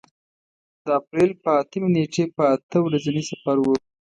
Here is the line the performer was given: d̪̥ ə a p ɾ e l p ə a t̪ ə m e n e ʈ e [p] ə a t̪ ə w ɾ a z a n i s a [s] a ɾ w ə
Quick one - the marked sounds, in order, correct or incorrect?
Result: correct, incorrect: f

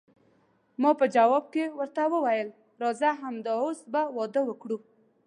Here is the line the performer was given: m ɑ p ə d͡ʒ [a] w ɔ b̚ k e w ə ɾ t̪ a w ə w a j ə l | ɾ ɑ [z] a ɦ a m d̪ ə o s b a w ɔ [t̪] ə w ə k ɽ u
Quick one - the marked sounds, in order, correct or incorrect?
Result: correct, correct, incorrect: d̪

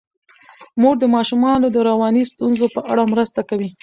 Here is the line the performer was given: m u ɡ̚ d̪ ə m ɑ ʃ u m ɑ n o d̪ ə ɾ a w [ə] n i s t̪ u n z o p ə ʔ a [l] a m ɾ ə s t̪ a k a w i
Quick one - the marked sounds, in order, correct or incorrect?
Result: incorrect: ɑ, incorrect: ɽ

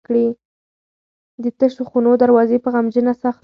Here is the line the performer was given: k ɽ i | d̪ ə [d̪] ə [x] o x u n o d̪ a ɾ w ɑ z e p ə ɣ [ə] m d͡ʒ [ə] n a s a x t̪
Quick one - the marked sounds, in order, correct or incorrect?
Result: incorrect: t̪, incorrect: ʃ, incorrect: a, correct

